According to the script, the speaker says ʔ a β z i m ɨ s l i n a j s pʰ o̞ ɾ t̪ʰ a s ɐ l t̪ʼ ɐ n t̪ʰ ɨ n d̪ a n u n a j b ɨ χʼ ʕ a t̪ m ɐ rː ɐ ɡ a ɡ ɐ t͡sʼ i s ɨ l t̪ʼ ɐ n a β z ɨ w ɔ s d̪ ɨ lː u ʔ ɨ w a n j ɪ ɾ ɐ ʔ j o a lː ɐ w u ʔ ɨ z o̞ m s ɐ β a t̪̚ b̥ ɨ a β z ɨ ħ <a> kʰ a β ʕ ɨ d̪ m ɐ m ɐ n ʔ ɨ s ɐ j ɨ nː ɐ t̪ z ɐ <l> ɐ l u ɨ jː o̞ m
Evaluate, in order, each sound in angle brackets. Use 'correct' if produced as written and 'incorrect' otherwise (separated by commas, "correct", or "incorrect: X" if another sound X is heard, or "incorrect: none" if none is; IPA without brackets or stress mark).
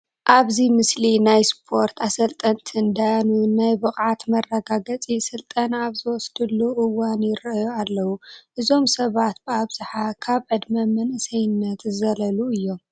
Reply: correct, correct